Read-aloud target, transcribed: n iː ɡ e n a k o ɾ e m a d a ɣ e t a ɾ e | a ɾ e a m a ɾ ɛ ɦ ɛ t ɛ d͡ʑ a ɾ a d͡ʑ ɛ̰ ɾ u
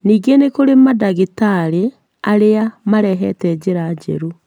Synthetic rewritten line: n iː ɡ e n e k o ɾ e m a d a ɣ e t a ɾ e | a ɾ e a m a ɾ ɛ ɦ ɛ t ɛ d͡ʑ e ɾ a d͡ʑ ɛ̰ ɾ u